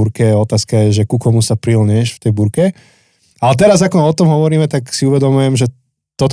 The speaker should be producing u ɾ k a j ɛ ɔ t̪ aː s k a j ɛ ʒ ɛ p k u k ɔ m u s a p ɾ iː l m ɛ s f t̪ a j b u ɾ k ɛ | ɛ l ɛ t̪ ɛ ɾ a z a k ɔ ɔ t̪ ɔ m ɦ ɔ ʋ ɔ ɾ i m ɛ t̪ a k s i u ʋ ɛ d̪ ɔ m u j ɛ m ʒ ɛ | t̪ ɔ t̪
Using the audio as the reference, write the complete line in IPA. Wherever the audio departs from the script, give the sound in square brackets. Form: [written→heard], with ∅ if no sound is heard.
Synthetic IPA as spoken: u ɾ k [a→ɛ] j ɛ ɔ t̪ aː s k a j ɛ ʒ ɛ [p→∅] k u k ɔ m u s a p ɾ [iː→i] l [m→ɲ] ɛ [s→ʃ] f t̪ [a→ɛ] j b u ɾ k ɛ | [ɛ→a] l ɛ t̪ ɛ ɾ a z a k ɔ ɔ t̪ ɔ m ɦ ɔ ʋ ɔ ɾ [i→iː] m ɛ t̪ a k s i u ʋ ɛ d̪ ɔ m u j ɛ m ʒ ɛ | t̪ ɔ t̪